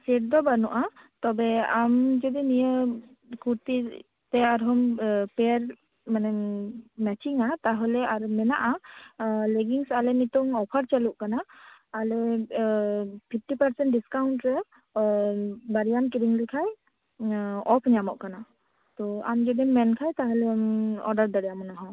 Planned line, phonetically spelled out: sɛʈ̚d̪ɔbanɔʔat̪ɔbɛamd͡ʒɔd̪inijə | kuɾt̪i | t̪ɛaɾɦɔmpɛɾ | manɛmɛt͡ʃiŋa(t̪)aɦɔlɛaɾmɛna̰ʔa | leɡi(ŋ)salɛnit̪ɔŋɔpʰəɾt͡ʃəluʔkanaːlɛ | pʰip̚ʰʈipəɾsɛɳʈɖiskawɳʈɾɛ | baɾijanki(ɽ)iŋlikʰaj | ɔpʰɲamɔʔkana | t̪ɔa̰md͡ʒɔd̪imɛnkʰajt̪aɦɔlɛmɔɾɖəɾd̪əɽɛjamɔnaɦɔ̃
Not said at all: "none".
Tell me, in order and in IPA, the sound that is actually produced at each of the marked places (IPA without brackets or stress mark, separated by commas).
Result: t̪, ŋ, ɾ